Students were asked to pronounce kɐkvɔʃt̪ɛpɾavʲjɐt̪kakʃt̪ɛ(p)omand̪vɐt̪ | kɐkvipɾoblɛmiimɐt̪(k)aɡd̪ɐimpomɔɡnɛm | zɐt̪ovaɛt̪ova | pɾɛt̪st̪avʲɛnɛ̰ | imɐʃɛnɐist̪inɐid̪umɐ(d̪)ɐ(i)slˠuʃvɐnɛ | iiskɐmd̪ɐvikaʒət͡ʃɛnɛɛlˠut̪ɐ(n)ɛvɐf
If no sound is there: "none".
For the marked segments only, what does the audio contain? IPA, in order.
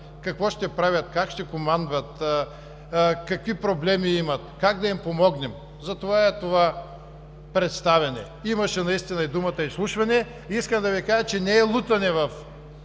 k, k, t̪, i, n

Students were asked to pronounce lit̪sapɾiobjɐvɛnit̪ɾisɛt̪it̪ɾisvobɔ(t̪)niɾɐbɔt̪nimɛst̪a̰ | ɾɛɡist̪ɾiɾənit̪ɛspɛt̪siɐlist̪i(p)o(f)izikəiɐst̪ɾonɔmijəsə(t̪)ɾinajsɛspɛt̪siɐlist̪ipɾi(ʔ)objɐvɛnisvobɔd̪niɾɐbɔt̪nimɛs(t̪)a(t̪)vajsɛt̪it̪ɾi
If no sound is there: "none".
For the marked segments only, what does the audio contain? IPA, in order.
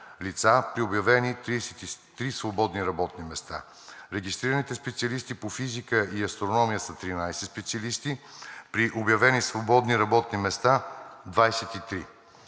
d̪, p, f, t̪, ʔ, t̪, d̪

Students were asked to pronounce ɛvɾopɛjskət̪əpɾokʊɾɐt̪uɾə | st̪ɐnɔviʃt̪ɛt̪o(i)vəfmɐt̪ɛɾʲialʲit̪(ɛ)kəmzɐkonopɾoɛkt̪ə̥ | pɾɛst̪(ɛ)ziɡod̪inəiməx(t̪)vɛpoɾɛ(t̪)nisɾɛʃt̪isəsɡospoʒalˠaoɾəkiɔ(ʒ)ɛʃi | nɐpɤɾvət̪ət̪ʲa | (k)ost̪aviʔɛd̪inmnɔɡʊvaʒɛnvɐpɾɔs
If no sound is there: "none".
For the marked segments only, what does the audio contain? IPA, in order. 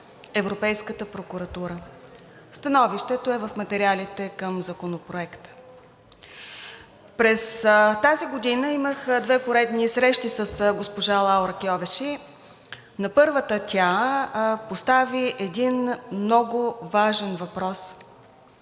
ɛ, ɛ, a, d̪, d̪, v, p

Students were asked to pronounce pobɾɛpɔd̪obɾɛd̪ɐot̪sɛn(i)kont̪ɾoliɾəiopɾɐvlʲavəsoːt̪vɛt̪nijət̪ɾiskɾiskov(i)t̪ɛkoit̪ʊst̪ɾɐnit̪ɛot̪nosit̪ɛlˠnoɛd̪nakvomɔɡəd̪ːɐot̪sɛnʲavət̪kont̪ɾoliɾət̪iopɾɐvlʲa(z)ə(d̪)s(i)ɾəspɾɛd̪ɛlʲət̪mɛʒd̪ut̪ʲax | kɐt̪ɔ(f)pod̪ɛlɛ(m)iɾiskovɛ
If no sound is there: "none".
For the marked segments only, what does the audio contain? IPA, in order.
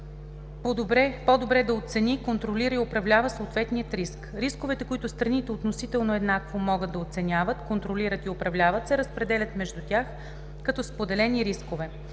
i, ɛ, v, t̪, ɛ, s, n

